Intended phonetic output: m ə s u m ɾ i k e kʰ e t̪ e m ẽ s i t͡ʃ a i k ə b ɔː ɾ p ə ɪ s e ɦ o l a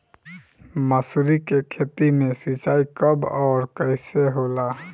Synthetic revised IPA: m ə s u ɾ i k e kʰ e t̪ i m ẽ s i t͡ʃ a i k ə b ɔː ɾ k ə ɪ s e ɦ o l a